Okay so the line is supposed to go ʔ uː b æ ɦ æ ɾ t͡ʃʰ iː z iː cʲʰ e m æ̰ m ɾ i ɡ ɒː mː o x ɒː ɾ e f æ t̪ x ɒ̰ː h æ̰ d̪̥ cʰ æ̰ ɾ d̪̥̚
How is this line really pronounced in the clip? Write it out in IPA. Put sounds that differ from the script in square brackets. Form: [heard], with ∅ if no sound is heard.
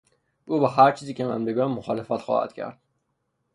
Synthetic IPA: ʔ uː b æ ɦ æ ɾ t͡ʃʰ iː z iː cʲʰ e m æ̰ m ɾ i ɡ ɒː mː o x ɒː [l] e f æ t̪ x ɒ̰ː h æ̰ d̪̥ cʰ æ̰ ɾ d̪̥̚